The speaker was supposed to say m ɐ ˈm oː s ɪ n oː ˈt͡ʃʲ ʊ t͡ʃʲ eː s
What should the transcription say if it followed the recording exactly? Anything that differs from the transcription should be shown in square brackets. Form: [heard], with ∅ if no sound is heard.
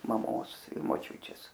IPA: m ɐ ˈm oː s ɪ [m] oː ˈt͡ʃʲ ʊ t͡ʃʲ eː s